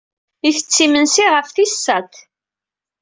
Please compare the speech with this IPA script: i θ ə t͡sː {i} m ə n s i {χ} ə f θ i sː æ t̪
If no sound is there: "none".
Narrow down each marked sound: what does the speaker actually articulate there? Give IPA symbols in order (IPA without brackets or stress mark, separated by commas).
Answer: i, ʁ